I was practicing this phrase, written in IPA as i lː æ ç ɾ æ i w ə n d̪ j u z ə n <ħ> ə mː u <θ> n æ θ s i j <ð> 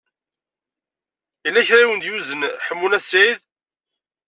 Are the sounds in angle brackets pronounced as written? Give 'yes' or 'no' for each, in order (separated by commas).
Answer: yes, no, yes